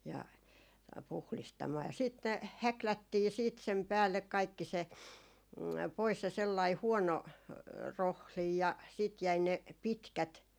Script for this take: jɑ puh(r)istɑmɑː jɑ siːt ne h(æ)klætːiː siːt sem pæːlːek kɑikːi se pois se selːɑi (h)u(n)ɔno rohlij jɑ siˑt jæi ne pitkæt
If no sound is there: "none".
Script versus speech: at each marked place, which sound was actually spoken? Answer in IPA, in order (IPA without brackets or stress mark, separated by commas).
l, æ, h, none